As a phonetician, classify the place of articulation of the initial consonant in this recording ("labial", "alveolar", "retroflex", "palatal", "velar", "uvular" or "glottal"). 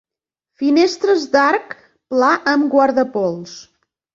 labial